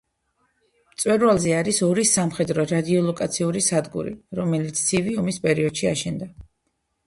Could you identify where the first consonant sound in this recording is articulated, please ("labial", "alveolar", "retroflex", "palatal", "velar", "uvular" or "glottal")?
labial